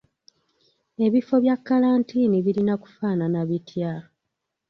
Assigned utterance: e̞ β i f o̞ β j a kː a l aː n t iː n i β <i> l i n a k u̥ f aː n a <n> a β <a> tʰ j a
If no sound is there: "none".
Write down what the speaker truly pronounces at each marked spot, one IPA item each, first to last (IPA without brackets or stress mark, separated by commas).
i, n, i